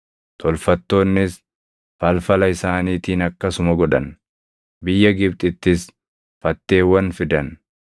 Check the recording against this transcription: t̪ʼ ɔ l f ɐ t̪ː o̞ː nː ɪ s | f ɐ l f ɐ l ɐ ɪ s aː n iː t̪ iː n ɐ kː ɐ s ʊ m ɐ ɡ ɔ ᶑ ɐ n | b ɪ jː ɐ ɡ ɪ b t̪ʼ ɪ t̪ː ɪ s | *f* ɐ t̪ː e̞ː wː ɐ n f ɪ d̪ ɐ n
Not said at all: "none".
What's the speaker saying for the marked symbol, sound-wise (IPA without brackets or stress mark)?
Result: f